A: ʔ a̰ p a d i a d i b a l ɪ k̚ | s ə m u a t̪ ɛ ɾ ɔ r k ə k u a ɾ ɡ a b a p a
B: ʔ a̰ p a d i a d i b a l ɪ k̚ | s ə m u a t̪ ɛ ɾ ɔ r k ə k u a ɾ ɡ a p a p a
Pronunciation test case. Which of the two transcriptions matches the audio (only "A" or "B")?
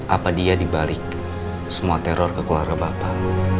A